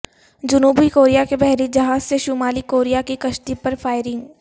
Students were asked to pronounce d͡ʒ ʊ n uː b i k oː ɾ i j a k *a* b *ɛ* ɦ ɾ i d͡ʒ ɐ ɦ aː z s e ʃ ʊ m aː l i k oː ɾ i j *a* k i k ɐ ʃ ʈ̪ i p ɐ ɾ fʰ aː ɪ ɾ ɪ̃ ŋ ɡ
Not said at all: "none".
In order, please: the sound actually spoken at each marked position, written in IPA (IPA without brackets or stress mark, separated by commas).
e, ɛ, a